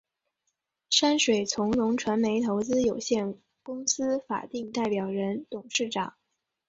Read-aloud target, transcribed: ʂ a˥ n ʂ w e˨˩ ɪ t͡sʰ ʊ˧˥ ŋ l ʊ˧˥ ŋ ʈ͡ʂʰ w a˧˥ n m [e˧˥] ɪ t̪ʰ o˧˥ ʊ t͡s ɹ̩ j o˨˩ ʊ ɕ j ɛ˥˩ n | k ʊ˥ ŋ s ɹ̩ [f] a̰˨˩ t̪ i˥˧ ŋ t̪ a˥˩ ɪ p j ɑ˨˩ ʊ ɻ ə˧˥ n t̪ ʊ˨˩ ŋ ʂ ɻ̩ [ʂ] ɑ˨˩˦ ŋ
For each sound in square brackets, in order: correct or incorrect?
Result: correct, correct, incorrect

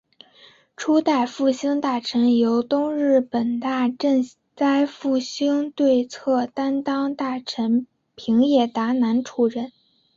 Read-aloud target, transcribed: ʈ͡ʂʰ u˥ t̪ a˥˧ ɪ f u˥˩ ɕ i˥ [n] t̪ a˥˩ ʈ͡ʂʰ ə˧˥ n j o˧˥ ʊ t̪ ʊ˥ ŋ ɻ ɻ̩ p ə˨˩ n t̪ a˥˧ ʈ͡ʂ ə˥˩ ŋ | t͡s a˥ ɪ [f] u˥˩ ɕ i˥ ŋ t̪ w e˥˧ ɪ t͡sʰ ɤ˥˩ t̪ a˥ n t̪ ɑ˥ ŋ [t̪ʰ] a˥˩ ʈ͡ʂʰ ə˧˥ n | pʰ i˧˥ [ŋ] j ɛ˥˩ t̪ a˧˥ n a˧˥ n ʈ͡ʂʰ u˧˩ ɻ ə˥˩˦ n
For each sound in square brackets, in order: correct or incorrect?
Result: incorrect, correct, incorrect, correct

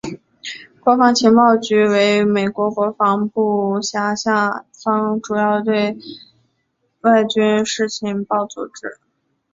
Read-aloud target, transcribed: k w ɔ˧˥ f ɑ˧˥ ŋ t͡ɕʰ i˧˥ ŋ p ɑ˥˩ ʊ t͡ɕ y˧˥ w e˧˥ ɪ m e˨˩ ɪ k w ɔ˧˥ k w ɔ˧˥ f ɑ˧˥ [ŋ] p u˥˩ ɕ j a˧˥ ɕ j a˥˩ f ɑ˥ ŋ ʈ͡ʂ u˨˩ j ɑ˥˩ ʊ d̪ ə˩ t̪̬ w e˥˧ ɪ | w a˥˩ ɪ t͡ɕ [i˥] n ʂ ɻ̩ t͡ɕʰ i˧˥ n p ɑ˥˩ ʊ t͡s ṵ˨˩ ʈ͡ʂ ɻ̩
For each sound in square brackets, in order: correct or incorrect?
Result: correct, incorrect

